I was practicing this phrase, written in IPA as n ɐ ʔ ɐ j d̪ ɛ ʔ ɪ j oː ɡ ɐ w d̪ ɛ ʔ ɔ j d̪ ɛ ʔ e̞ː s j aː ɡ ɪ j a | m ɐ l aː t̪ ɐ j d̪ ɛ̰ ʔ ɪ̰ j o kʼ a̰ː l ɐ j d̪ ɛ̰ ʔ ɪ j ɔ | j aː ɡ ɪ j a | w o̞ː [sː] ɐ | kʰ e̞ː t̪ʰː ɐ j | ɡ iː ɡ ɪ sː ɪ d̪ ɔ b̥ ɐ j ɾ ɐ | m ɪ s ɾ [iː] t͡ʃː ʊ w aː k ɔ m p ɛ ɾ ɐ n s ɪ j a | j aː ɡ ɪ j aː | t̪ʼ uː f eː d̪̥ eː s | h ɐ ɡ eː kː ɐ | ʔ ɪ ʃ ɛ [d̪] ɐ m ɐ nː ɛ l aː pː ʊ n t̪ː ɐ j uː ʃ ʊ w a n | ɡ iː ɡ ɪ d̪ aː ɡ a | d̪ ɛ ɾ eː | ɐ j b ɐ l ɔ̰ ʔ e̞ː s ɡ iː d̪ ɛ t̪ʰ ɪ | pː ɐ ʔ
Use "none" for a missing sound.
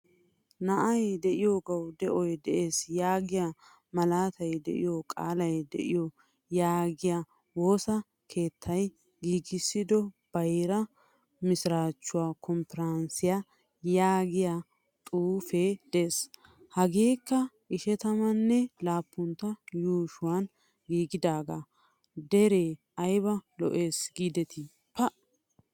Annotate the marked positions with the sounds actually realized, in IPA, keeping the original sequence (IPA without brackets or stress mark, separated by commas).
s, aː, t̪